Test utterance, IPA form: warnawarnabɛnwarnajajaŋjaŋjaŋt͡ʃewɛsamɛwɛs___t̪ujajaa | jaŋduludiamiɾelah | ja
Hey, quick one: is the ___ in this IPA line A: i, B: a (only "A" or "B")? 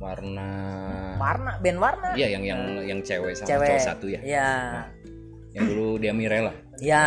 B